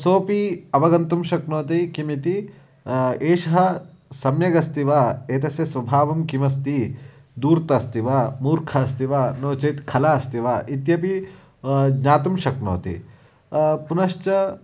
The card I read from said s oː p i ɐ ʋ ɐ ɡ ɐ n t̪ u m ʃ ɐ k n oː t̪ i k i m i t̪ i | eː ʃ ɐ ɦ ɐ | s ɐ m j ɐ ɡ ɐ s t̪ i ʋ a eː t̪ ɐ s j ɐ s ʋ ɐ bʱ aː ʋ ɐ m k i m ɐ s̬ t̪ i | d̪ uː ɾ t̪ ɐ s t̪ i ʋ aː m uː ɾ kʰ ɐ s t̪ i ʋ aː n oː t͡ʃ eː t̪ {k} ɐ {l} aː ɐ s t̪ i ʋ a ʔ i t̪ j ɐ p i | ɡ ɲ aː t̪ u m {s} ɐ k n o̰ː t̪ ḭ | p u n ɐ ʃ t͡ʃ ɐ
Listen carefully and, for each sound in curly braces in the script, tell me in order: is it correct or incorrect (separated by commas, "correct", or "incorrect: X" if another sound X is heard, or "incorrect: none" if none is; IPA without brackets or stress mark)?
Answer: incorrect: kʰ, correct, incorrect: ʃ